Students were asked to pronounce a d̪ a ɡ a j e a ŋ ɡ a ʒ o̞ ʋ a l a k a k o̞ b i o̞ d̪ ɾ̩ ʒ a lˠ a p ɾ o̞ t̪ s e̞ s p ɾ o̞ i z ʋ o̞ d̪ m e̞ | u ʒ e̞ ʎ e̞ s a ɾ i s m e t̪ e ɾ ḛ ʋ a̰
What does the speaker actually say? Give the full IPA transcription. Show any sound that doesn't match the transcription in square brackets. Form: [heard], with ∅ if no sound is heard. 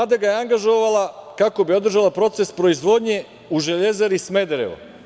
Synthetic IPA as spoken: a d̪ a ɡ a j e a ŋ ɡ a ʒ o̞ ʋ a l a k a k o̞ b i o̞ d̪ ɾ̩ ʒ a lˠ a p ɾ o̞ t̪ s e̞ s p ɾ o̞ i z ʋ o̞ d̪ [ɲ] e̞ | u ʒ e̞ ʎ e̞ [z] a ɾ i s m e [d̪] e ɾ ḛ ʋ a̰